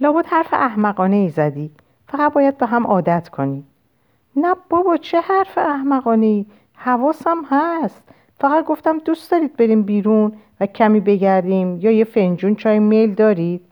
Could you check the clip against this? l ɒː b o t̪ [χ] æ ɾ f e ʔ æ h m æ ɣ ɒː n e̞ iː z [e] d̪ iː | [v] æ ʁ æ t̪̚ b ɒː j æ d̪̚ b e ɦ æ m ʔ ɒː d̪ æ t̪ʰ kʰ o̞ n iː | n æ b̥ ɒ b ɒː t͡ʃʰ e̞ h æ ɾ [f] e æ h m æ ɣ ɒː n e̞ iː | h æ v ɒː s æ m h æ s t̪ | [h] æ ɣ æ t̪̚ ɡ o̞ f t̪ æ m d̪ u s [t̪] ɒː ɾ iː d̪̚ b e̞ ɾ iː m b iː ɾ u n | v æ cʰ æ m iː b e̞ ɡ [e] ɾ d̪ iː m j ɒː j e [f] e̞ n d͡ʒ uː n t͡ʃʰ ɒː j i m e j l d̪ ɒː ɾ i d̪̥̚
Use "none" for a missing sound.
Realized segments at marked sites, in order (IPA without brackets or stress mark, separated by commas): h, æ, f, f, f, d̪, æ, f